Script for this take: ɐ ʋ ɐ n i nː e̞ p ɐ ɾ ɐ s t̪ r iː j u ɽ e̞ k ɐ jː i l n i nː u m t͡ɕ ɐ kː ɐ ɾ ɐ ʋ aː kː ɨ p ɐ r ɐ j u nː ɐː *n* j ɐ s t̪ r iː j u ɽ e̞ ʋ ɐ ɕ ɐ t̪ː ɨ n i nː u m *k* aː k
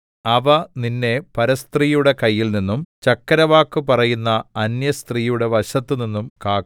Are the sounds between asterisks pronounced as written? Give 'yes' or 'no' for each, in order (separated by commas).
yes, yes